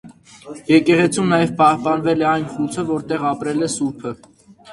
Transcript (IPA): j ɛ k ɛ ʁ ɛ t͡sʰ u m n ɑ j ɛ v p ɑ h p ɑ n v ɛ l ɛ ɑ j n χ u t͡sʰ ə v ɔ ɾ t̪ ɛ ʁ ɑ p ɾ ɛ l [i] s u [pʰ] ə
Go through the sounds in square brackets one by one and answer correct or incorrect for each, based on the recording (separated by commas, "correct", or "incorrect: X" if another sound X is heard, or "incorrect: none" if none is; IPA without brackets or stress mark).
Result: incorrect: ɛ, correct